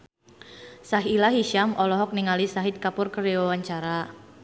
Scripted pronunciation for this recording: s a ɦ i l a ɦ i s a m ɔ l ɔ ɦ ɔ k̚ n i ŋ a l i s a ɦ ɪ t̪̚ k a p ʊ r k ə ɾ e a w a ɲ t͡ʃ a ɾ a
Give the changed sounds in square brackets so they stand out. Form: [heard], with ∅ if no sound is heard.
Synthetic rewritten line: s a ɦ i l a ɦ i [ʃ] a m ɔ l ɔ ɦ ɔ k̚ n i ŋ a l i s a ɦ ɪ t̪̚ k a p ʊ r k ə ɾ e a w a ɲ t͡ʃ a ɾ a